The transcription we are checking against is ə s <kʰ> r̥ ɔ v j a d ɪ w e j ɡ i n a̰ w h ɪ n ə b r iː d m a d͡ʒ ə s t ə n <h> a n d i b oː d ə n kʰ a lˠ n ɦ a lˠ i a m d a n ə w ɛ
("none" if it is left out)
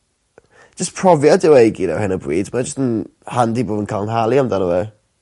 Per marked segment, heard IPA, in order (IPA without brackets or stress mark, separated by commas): pʰ, h